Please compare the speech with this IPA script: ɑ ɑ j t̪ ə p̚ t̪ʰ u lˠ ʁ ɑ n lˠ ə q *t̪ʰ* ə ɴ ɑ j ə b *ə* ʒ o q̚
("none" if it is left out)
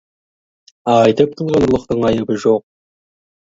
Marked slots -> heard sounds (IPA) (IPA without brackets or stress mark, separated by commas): t̪, ə